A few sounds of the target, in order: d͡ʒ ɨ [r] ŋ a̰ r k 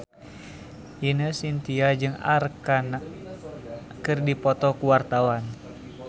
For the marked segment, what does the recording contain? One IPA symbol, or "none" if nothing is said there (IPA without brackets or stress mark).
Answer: none